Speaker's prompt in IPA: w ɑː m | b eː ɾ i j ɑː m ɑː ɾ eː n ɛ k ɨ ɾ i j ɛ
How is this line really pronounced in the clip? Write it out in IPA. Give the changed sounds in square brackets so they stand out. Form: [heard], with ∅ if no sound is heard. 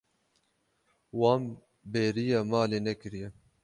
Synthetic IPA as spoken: w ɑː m | b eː ɾ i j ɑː m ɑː [l] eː n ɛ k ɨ ɾ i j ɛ